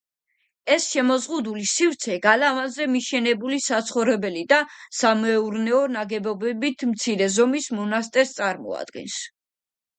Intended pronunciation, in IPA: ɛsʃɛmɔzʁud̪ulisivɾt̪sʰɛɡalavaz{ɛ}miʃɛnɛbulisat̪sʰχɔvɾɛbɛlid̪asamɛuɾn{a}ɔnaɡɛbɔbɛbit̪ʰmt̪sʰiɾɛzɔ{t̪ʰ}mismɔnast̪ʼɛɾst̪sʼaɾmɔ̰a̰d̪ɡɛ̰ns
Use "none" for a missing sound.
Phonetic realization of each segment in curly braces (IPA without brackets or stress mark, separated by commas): ɛ, ɛ, none